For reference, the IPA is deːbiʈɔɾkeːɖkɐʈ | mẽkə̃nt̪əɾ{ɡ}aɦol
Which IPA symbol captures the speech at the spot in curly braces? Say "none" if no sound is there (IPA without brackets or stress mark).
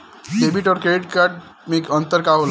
k